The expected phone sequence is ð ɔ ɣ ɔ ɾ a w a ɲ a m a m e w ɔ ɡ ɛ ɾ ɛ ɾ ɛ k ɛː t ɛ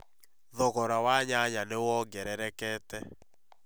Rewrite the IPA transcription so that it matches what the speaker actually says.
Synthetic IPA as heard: ð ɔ ɣ ɔ ɾ a w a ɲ a ɲ a n e w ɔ ɡ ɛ ɾ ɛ ɾ ɛ k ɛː t ɛ